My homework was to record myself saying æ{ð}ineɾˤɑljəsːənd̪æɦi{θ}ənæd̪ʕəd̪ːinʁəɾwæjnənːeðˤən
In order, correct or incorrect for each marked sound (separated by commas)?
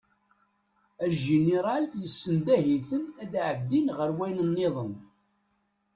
incorrect, correct